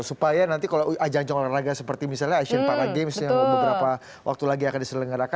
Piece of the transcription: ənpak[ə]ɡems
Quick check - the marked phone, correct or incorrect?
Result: incorrect